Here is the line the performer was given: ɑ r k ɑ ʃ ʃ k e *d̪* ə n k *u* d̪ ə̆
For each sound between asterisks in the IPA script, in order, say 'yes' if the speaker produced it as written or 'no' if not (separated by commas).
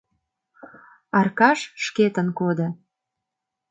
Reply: no, no